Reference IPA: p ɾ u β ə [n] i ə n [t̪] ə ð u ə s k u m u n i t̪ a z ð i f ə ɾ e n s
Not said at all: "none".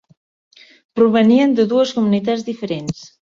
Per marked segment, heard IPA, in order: n, d̪

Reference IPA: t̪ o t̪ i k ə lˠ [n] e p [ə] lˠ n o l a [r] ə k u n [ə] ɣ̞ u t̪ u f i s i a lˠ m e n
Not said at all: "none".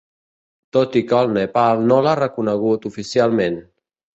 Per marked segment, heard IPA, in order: n, a, r, ə

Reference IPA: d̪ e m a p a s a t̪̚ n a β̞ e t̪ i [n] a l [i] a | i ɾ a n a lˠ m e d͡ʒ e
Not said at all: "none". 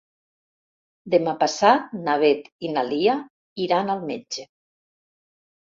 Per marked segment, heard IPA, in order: n, i

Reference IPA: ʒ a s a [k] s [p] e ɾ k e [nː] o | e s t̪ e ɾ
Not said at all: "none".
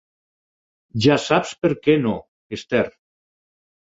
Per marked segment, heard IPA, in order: p, p, n

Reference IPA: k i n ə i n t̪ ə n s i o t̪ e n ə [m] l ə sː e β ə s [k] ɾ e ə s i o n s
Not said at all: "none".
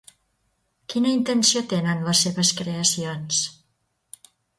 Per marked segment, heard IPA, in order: n, k

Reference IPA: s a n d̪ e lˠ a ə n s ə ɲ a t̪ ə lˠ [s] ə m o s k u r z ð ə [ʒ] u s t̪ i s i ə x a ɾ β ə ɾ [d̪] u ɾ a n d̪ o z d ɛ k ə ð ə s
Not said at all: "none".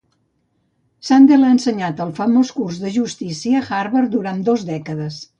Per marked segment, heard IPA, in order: f, ʒ, d̪

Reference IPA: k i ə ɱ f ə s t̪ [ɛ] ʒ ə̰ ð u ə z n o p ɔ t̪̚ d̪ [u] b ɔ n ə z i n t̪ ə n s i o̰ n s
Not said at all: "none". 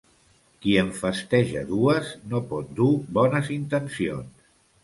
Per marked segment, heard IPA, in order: ɛ, u

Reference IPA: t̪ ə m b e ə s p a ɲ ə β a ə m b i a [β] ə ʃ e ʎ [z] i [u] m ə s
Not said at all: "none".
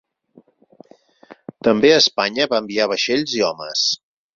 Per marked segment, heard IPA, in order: β, z, ɔ

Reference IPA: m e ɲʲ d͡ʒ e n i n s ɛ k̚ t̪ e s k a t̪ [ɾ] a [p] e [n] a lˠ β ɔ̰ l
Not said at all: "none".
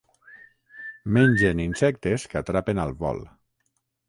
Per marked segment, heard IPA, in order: ɾ, p, n

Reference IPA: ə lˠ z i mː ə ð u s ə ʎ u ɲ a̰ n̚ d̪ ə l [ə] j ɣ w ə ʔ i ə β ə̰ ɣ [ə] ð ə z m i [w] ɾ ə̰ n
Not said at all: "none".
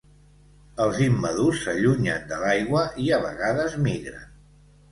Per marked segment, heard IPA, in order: a, a, ɣ

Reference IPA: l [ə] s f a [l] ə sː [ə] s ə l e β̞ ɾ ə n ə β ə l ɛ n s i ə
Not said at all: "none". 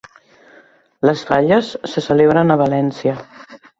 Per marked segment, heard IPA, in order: ə, ʎ, ə

